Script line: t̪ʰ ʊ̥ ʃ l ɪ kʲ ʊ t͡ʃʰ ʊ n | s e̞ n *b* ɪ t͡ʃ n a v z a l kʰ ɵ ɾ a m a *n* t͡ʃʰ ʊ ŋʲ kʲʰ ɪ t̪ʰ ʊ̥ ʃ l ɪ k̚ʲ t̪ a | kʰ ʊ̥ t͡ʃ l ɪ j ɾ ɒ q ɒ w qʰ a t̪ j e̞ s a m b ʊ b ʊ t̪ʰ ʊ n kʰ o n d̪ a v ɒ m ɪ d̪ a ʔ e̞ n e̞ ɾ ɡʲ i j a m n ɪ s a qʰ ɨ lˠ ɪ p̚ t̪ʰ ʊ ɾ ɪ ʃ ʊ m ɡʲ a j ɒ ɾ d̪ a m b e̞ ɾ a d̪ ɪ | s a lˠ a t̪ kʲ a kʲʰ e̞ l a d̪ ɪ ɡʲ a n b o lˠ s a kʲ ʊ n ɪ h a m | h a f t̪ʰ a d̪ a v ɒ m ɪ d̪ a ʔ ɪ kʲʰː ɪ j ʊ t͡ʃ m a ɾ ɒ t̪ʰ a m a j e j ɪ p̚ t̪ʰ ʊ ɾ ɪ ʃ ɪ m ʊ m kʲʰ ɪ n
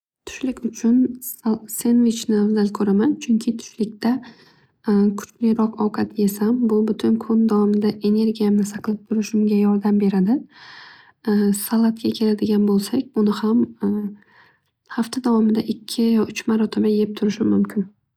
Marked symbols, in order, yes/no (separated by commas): no, yes